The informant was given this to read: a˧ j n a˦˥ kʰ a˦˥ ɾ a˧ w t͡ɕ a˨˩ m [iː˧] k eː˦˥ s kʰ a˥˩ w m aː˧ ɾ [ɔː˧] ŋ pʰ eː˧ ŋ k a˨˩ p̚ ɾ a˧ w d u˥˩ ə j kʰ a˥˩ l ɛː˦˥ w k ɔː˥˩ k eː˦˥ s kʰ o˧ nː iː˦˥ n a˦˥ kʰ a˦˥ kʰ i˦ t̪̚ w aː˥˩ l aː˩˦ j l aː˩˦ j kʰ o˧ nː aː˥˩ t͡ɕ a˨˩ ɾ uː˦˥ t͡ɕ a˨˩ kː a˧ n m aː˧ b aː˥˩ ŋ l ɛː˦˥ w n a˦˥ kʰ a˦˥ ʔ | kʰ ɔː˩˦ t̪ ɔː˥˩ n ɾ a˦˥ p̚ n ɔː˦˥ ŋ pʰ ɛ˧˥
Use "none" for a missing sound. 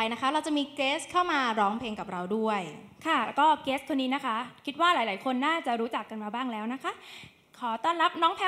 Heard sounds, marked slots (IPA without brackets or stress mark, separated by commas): iː˧, ɔː˦˥